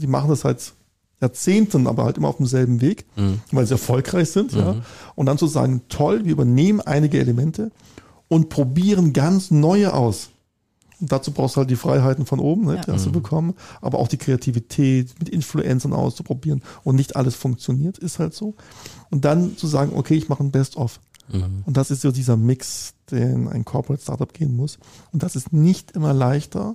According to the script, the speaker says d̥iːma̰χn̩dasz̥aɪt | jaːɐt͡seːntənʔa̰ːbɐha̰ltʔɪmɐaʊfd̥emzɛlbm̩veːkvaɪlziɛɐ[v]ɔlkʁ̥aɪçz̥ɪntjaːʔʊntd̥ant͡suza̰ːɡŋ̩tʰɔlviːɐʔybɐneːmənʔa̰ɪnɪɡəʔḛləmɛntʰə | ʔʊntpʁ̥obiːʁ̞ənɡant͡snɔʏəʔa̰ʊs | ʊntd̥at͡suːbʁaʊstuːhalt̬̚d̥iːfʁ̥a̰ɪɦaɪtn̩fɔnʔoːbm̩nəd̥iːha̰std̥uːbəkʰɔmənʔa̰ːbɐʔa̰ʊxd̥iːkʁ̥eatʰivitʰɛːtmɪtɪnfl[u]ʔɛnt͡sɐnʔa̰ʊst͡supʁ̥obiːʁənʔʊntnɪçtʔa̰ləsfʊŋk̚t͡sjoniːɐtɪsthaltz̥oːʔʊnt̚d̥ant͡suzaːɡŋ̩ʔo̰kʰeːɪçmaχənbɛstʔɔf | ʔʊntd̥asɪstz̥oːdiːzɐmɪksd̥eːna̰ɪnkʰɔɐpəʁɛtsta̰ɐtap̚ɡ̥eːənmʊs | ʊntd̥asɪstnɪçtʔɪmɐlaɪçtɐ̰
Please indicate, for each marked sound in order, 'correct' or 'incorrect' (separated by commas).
incorrect, correct